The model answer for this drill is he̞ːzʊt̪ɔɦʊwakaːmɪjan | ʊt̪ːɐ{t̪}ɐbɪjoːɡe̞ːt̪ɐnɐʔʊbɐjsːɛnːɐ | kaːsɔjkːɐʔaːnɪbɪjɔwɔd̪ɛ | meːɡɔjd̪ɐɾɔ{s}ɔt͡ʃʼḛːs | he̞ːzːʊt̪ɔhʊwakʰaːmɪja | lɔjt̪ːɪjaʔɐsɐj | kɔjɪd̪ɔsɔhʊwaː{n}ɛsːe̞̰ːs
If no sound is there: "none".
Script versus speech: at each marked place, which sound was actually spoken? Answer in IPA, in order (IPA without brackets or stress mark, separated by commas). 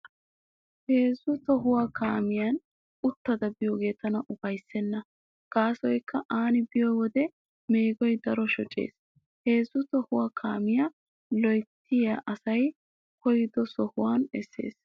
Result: d̪, ʃ, n